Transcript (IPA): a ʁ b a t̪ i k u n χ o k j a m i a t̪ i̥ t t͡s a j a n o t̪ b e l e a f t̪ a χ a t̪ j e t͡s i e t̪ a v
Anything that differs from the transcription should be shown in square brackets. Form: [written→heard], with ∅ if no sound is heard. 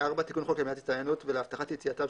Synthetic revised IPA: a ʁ b a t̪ i k u n χ o k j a m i a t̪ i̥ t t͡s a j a n [o→u] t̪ [b→v] e l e a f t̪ a χ a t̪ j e t͡s i [e→a] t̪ a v